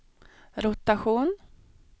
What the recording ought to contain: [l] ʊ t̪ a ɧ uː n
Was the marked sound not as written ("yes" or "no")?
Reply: yes